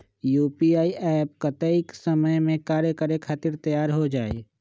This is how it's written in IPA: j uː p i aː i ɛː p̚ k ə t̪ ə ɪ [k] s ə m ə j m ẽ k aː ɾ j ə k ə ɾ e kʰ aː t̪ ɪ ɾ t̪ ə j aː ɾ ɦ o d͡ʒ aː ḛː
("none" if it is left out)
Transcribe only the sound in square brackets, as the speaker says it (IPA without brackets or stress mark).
k